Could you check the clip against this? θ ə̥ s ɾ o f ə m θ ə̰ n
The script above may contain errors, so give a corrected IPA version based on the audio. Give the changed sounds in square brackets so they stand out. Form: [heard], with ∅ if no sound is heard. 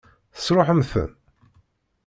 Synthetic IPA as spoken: θ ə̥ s ɾ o [ħ] ə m θ ə̰ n